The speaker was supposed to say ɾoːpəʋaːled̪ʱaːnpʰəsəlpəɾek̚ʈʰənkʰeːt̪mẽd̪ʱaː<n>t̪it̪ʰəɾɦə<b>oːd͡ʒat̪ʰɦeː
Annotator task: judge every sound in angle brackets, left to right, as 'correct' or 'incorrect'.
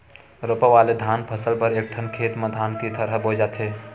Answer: correct, correct

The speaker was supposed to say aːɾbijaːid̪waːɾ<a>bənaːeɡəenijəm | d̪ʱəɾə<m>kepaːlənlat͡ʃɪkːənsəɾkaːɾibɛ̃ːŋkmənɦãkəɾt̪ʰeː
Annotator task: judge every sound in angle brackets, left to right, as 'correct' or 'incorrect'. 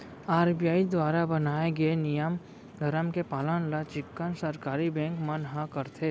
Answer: correct, correct

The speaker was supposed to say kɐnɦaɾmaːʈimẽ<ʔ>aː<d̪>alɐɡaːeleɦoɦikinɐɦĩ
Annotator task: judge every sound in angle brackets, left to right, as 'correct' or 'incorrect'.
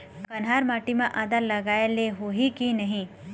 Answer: correct, correct

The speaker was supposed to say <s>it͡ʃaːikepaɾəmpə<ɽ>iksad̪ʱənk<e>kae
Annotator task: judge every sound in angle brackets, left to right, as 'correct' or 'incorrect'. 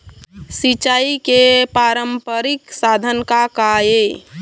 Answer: correct, incorrect, incorrect

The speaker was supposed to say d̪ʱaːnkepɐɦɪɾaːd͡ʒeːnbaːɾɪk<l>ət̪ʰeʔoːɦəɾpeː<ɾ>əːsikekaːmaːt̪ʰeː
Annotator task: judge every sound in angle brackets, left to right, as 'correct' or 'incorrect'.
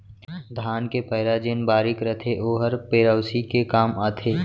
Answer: incorrect, correct

